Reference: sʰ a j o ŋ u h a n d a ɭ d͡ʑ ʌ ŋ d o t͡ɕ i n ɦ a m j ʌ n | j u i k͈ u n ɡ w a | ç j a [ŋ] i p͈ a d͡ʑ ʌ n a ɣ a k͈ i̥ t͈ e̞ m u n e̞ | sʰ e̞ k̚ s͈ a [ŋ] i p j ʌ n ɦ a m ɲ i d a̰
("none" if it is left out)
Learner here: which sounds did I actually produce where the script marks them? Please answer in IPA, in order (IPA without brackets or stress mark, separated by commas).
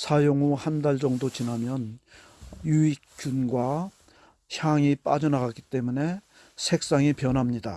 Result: ŋ, ŋ